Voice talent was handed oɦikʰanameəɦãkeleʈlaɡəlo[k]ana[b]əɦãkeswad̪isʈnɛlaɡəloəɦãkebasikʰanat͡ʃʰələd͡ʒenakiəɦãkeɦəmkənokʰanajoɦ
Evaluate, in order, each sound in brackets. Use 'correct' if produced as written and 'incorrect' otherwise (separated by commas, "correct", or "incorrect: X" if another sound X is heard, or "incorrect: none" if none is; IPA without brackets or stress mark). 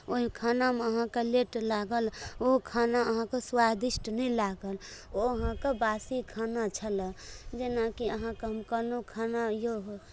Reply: incorrect: kʰ, incorrect: none